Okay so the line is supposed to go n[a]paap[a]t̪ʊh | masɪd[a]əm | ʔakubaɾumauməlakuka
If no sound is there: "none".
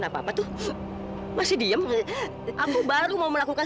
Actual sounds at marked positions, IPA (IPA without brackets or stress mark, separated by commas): a, a, i